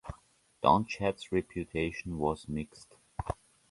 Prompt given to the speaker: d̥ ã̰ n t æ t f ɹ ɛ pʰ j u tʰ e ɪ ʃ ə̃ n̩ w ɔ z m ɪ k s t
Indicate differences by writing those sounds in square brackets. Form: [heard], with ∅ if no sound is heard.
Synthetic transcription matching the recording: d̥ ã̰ n [t͡ʃ] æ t [s] ɹ ɛ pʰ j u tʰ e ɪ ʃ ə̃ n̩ w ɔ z m ɪ k s t